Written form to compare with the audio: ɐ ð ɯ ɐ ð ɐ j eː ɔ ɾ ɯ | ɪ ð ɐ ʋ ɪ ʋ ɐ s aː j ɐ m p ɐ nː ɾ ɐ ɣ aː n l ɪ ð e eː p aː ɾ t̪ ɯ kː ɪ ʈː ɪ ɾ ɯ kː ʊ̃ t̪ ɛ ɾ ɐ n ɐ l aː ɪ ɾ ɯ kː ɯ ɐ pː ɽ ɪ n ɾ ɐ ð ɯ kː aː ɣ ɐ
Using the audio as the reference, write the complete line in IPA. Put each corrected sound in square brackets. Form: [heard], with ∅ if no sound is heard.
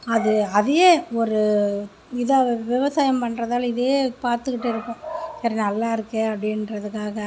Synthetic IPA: ɐ ð ɯ ɐ ð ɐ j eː ɔ ɾ ɯ | ɪ ð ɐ ʋ ɪ ʋ ɐ s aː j ɐ m p ɐ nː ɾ ɐ [ð] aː [∅] l ɪ ð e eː p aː ɾ t̪ ɯ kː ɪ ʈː ɪ ɾ ɯ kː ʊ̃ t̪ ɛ ɾ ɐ n ɐ [lː] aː ɪ ɾ ɯ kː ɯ ɐ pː ɽ ɪ n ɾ ɐ ð ɯ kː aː ɣ ɐ